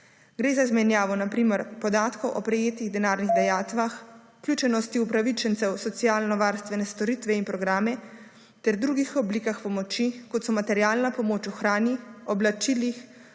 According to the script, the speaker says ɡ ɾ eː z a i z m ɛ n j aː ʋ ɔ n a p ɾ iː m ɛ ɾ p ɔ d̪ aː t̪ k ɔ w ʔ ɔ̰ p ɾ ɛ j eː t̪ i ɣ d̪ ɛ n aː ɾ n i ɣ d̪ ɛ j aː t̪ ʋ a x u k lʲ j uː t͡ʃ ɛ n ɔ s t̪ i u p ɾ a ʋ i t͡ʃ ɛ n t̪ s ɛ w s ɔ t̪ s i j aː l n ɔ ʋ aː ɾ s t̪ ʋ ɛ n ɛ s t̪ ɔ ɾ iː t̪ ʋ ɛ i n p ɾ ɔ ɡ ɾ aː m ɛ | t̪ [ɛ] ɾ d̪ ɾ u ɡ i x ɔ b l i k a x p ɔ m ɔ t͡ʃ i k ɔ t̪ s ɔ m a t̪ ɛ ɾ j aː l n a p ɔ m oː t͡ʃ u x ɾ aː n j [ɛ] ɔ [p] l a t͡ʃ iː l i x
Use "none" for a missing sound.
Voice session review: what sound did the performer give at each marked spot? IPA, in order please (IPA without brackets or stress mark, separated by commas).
ɛ, i, b